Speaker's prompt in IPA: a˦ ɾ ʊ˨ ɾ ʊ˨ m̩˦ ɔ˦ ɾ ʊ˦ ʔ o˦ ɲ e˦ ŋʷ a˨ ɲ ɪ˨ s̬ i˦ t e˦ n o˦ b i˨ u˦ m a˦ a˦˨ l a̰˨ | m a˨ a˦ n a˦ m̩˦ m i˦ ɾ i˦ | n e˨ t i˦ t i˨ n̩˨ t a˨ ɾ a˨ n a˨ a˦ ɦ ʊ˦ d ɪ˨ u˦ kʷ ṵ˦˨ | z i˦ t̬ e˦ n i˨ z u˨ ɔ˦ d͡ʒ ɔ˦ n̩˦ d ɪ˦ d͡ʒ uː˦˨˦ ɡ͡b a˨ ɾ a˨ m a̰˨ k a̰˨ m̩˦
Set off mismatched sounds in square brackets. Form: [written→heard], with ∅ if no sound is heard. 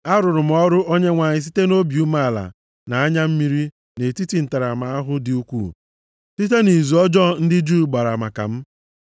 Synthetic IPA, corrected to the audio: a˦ ɾ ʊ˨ ɾ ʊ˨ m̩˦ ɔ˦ ɾ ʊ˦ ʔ o˦ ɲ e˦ ŋʷ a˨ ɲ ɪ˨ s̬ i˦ t e˦ n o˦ b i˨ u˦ m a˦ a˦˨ l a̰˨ | [m→n] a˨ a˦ [n→ɲ] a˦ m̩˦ m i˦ ɾ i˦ | n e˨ t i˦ t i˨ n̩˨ t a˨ ɾ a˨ [n→m] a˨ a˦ ɦ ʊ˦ d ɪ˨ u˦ kʷ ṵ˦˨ | [z→s] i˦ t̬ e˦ n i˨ z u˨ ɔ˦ d͡ʒ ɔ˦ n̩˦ d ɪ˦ d͡ʒ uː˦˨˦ ɡ͡b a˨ ɾ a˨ m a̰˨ k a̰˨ m̩˦